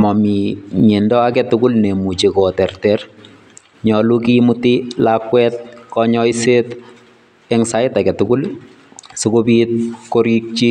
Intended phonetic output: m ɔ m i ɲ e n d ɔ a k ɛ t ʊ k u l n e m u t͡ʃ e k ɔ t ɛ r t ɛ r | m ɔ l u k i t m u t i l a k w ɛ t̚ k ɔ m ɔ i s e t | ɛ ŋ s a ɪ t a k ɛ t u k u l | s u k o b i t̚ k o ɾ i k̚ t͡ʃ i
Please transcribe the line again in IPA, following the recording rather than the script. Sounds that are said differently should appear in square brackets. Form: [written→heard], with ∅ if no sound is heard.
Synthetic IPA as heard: m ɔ m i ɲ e n d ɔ a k ɛ t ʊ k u l n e m u t͡ʃ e k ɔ t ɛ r t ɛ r | [m→ɲ] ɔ l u k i [t→∅] m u t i l a k w ɛ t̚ k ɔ [m→ɲ] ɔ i s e t | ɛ ŋ s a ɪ t a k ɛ t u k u l | s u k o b i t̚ k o ɾ i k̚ t͡ʃ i